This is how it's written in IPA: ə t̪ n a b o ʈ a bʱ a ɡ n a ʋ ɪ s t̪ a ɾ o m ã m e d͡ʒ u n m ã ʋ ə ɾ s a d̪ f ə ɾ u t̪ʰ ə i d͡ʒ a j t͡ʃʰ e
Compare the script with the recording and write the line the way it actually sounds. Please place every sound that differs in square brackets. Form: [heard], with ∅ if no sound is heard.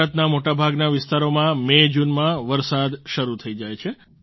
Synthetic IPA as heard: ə t̪ n a [m] o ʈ a bʱ a ɡ n a ʋ ɪ s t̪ a ɾ o m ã m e d͡ʒ u n m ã ʋ ə ɾ s a d̪ [ʃ] ə ɾ u t̪ʰ ə i d͡ʒ a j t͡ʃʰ e

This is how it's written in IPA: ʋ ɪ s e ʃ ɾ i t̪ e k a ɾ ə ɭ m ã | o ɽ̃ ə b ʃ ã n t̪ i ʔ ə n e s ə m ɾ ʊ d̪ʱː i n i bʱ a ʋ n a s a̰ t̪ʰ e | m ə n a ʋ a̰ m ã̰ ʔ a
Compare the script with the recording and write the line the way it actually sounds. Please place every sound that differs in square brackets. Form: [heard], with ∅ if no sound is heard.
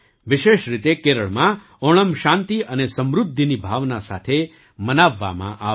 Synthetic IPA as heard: ʋ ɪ [ʃ] e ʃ ɾ i t̪ e k [e] ɾ ə ɭ m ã | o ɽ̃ ə [m] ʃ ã n t̪ i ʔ ə n e s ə m ɾ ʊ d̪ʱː i n i bʱ a ʋ n a s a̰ t̪ʰ e | m ə n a [ʋː] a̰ m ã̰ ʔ a

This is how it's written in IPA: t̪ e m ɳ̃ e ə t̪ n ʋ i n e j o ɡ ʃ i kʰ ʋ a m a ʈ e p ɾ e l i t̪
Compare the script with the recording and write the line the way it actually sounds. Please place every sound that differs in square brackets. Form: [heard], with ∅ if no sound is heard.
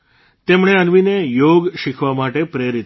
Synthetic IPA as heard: t̪ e m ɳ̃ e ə [∅] n ʋ i n e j o ɡ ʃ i kʰ ʋ a m a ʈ e p ɾ e [ɾ] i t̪

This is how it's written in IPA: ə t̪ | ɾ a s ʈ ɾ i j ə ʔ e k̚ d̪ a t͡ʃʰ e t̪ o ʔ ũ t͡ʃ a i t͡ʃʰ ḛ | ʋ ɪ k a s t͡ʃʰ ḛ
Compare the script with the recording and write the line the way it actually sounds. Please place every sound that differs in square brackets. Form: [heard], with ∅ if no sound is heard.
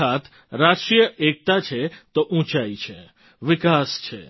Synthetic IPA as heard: [a] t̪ | ɾ a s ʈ ɾ i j ə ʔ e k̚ [t̪] a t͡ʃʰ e t̪ o ʔ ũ t͡ʃ a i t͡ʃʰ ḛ | ʋ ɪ k a s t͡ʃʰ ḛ

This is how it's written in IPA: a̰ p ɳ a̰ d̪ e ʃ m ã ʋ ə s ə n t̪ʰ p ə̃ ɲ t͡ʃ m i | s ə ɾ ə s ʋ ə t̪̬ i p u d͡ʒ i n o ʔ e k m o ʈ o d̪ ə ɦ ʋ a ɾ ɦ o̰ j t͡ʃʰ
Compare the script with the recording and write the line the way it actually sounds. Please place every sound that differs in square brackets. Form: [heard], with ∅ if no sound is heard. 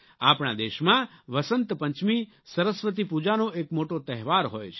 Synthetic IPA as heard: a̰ p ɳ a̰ d̪ e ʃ m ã ʋ ə s ə n [t̪] p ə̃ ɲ t͡ʃ m i | s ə ɾ ə s ʋ ə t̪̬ i p u d͡ʒ [a] n o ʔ e k m o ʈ o [t̪] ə ɦ ʋ a ɾ ɦ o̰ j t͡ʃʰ

